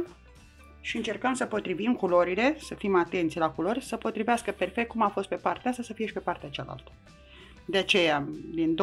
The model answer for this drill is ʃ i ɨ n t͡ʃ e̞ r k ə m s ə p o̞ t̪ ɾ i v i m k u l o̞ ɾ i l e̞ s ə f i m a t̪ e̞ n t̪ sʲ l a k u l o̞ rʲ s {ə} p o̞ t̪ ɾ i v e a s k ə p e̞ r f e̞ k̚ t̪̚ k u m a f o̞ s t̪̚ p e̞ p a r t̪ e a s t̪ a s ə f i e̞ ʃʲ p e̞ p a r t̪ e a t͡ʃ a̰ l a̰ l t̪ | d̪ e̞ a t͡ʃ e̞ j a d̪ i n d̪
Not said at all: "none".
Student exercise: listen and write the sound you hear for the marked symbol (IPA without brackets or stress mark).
ə